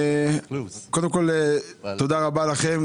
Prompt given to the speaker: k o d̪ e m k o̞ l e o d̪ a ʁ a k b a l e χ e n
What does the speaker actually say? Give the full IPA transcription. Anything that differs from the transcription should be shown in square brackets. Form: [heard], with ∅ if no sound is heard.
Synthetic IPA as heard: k o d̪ e m k o̞ l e o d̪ a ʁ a [∅] b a l [a] χ e [m]